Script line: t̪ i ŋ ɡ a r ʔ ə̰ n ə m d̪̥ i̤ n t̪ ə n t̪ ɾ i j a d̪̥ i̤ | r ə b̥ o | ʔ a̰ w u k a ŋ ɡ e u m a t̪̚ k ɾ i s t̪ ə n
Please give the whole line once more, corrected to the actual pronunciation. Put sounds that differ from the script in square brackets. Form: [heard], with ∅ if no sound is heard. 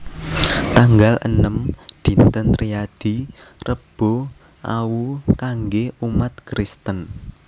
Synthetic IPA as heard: t̪ [a] ŋ ɡ a [l] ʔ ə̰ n ə m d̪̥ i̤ n t̪ ə n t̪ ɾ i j a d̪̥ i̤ | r ə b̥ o | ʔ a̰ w u k a ŋ ɡ e u m a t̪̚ k ɾ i s t̪ ə n

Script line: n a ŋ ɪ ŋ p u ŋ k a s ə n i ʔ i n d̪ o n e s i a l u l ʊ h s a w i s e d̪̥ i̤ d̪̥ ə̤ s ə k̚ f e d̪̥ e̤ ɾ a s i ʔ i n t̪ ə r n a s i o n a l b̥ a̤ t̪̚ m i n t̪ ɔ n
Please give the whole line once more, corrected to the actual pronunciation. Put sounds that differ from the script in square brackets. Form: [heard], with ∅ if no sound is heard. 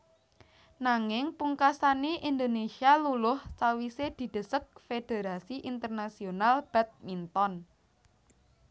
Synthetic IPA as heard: n a ŋ ɪ ŋ p u ŋ k a s [a] n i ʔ i n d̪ o n e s i a l u l ʊ h s a w i s e d̪̥ i̤ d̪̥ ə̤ s ə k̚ f e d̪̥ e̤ ɾ a s i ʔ i n t̪ ə r n a s i o n a l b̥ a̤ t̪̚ m i n t̪ ɔ n

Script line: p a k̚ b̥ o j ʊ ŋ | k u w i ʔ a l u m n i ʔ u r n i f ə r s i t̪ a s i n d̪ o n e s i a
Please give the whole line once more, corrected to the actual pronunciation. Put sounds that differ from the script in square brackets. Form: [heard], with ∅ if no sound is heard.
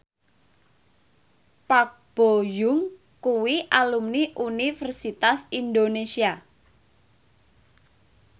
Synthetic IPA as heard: p a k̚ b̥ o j ʊ ŋ | k u w i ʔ a l u m n i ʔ u [∅] n i f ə r s i t̪ a s i n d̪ o n e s i a

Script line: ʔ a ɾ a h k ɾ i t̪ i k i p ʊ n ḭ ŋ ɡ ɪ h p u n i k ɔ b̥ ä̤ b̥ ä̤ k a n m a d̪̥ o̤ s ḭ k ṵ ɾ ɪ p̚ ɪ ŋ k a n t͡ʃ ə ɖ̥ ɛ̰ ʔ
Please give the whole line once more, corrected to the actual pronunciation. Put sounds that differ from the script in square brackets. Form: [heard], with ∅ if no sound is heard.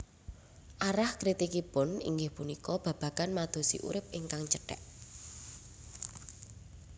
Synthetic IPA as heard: ʔ a ɾ a h k ɾ i t̪ i k i p ʊ n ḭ ŋ ɡ ɪ h p u n i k ɔ b̥ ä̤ b̥ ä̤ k a n m a d̪̥ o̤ s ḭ [ʔ] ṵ ɾ ɪ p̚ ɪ ŋ k a [ŋ] t͡ʃ ə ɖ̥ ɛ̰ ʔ

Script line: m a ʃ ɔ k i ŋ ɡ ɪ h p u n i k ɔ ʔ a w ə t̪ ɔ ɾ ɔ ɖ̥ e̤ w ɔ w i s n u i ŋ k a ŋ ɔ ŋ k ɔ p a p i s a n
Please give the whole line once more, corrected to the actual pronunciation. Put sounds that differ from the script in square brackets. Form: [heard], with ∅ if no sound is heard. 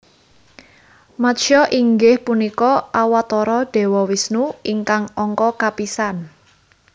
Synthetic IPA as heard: m a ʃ ɔ [ʔ] i ŋ ɡ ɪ h p u n i k ɔ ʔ a w [a] t̪ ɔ ɾ ɔ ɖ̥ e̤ w ɔ w i s n u i ŋ k a ŋ ɔ ŋ k ɔ [k] a p i s a n

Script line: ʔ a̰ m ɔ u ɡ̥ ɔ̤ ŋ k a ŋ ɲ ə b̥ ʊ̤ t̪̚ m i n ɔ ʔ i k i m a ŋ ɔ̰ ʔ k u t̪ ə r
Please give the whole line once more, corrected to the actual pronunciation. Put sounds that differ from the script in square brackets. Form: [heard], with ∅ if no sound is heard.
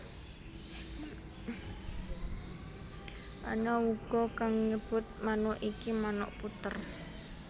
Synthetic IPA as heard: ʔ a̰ [n] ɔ u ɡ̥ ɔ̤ [∅] k a ŋ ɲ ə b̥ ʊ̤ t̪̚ m [a] n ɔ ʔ i k i m a [n] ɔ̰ ʔ [p] u t̪ ə r

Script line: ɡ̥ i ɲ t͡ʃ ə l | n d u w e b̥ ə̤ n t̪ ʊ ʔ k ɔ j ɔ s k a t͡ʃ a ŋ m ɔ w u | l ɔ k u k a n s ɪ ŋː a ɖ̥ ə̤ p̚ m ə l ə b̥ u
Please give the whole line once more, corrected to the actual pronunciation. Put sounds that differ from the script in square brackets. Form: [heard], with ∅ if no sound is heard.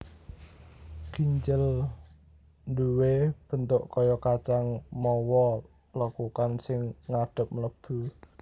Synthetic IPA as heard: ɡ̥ i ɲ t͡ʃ ə l | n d u w e b̥ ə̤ n t̪ ʊ ʔ k ɔ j ɔ [∅] k a t͡ʃ a ŋ m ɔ w [ɔ] | l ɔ k u k a n s ɪ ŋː a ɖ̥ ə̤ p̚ m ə l ə b̥ u

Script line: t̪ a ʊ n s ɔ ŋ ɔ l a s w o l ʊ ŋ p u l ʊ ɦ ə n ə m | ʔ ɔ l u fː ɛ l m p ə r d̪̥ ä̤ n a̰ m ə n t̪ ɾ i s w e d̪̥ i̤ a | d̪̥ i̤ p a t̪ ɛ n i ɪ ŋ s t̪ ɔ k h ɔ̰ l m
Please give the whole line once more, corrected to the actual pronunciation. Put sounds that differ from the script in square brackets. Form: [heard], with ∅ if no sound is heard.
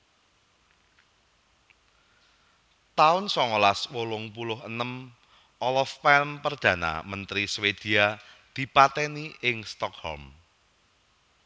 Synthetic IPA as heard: t̪ a ʊ n s ɔ ŋ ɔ l a s w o l ʊ ŋ p u l ʊ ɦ ə n ə m | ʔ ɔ l [ɔ] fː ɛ l m p ə r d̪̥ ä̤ n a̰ m ə n t̪ ɾ i s w e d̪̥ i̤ a | d̪̥ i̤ p a t̪ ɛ n i ɪ ŋ s t̪ ɔ k h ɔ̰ l m

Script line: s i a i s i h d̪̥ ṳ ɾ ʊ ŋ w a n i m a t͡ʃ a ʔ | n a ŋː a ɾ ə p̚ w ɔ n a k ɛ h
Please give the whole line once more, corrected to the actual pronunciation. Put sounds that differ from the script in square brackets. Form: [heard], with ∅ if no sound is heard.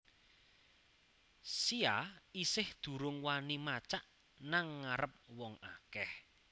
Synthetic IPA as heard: s i a i s [ɪ] h d̪̥ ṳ ɾ ʊ ŋ w a n i m a t͡ʃ a ʔ | n a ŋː a ɾ ə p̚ w ɔ [ŋ] a k ɛ h

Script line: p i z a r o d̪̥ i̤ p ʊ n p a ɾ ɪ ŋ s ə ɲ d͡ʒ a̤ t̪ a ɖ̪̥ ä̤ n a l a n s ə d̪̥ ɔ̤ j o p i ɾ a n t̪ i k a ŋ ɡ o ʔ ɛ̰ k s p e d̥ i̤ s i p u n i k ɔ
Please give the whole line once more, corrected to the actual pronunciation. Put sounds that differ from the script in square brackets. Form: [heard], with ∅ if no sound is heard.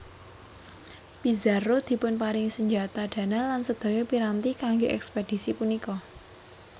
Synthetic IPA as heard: p i z a r o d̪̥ i̤ p ʊ n p a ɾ ɪ ŋ s ə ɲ d͡ʒ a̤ t̪ a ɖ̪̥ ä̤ n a l a n s ə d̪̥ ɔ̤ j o p i ɾ a n t̪ i k a ŋ ɡ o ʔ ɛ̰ k s p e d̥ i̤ s i p u n i k ɔ

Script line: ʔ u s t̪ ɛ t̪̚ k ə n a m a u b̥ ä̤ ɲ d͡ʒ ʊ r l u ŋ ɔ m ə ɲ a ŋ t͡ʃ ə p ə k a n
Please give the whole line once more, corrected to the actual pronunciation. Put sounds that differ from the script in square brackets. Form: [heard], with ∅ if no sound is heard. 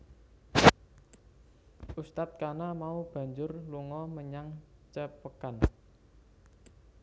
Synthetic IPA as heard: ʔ u s t̪ [a] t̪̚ k [a] n a m a u b̥ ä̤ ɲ d͡ʒ ʊ r l u ŋ ɔ m ə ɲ a ŋ t͡ʃ ə p ə k a n

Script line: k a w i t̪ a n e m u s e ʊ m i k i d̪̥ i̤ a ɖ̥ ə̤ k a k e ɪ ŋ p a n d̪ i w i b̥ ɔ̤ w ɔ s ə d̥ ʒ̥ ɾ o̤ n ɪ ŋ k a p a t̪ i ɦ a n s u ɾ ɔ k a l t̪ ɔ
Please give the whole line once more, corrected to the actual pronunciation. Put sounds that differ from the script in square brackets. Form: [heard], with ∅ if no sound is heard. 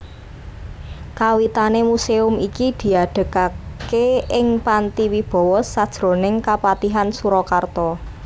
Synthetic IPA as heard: k a w i t̪ a n e m u s e ʊ m i k i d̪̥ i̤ a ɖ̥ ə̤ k a k e ɪ ŋ p a n [t̪] i w i b̥ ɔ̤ w ɔ s [a] d̥ ʒ̥ ɾ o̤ n ɪ ŋ k a p a t̪ i ɦ a n s u ɾ ɔ k a [r] t̪ ɔ

